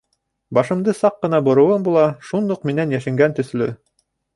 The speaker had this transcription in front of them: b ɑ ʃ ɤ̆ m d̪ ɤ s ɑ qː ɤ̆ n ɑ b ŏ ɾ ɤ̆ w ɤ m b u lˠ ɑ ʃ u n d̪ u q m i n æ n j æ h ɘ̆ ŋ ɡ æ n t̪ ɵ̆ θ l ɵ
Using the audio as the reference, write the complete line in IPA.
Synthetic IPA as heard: b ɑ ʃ ɤ̆ m d̪ ɤ s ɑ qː ɤ̆ n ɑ b ŏ ɾ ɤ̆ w ɤ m b u lˠ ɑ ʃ u n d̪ u q m i n æ n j æ ʃ ɘ̆ ŋ ɡ æ n t̪ ɵ̆ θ l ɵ